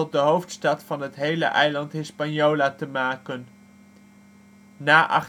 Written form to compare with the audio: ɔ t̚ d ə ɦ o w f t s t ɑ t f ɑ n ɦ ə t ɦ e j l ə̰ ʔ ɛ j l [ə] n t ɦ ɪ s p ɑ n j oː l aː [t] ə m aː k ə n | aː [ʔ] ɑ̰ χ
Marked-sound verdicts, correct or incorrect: incorrect: ɑ, correct, correct

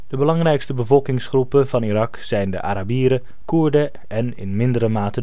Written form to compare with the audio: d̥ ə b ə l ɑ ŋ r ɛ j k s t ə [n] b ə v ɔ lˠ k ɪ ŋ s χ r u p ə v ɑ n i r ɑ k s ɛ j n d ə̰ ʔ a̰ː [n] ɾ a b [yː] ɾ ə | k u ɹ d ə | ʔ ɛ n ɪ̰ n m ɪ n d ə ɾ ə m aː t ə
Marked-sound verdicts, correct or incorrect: incorrect: none, incorrect: none, incorrect: iː

